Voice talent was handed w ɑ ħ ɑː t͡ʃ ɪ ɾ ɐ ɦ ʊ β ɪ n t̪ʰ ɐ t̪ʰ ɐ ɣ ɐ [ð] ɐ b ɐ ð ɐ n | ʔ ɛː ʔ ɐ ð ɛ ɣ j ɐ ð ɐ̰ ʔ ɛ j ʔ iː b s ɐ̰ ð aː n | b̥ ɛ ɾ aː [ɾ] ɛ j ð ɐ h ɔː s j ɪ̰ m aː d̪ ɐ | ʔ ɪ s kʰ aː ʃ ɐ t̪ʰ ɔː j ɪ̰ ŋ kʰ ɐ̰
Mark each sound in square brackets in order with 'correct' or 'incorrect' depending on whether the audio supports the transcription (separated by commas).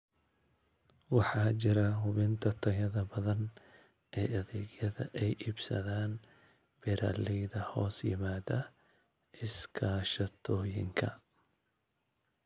correct, incorrect